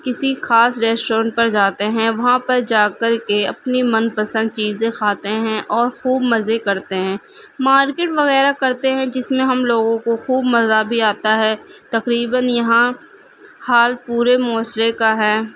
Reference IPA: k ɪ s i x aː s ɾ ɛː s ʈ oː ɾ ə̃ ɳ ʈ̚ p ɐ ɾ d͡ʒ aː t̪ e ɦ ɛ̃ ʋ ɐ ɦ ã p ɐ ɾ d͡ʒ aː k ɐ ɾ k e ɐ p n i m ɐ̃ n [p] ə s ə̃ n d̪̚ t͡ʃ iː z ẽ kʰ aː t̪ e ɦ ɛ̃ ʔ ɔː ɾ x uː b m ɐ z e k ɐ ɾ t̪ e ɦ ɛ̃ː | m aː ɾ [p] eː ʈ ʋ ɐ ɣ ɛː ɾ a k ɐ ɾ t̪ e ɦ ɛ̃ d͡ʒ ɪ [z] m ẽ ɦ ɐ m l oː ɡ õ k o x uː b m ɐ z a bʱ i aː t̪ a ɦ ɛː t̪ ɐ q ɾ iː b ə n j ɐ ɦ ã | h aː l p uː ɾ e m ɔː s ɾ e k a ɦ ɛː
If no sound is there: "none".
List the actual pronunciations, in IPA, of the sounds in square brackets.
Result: p, k, s

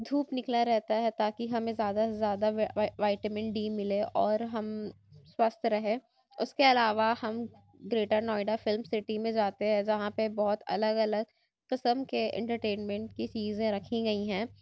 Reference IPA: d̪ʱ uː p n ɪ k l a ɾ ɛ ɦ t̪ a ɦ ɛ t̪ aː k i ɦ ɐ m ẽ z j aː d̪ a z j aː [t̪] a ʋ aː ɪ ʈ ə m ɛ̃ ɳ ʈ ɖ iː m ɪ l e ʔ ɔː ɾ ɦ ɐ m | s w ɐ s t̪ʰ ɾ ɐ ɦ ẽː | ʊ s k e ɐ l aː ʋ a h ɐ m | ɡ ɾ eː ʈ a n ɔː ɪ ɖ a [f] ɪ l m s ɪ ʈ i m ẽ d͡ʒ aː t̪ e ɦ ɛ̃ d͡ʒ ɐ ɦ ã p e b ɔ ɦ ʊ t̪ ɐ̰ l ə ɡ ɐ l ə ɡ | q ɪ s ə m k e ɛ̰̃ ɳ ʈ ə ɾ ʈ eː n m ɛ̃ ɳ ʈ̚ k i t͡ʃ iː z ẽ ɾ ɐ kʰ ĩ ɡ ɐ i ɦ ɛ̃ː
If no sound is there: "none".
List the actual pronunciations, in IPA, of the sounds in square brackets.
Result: d̪, f

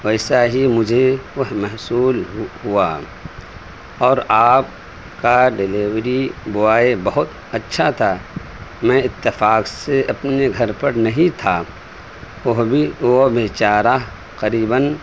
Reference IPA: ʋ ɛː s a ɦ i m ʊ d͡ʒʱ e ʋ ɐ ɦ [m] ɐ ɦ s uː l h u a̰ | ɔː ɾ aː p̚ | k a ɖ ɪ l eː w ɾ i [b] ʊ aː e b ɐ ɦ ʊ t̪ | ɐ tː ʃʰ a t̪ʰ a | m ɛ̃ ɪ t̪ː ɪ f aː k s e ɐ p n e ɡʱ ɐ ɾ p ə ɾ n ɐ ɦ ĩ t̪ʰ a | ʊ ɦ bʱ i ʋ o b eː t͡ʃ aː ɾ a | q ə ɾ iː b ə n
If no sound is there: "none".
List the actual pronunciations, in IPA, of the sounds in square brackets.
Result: m, b

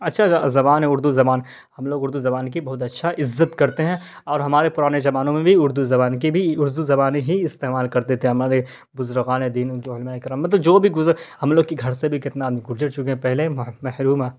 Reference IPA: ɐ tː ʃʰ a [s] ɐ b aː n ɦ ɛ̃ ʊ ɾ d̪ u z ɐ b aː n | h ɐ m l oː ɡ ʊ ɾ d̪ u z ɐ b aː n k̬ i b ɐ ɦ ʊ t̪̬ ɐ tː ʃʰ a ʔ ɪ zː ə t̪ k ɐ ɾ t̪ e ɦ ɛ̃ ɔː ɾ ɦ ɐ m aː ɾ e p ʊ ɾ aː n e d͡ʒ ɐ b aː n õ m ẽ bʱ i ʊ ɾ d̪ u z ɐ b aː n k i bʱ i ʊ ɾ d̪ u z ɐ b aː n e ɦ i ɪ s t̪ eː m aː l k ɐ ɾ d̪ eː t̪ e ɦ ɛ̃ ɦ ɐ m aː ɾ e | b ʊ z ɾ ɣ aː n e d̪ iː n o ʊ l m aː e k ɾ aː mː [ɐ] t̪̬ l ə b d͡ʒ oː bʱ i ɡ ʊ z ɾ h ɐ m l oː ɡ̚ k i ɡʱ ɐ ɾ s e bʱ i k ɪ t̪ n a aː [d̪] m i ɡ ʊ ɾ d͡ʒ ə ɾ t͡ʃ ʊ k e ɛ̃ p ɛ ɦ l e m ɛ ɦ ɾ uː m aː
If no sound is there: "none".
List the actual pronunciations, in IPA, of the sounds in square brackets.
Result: z, ɐ, d̪

